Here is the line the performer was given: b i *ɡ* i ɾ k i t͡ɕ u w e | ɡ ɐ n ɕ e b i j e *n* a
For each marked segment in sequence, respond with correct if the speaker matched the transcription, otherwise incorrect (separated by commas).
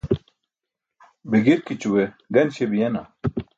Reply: correct, correct